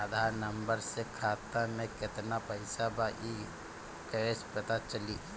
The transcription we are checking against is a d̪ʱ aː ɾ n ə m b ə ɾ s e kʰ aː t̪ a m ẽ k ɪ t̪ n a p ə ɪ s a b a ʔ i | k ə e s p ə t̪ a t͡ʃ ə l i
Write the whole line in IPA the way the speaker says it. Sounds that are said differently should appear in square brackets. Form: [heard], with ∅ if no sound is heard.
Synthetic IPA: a d̪ʱ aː ɾ n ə m b ə ɾ s e kʰ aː t̪ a m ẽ k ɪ t̪ n a p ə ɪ s a b a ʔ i | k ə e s p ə t̪ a t͡ʃ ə l i